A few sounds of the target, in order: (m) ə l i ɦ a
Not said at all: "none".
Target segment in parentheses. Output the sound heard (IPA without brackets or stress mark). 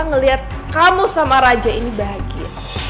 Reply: ŋ